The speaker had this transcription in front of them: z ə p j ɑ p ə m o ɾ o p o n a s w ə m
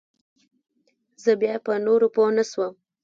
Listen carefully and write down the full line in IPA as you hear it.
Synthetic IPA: z ə b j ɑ p ə n o ɾ o p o n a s w ə m